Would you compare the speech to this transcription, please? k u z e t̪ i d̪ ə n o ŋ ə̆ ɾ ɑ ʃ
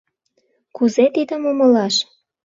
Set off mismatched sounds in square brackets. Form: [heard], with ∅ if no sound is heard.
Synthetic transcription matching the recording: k u z e t̪ i d̪ ə [m] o [m] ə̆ [l] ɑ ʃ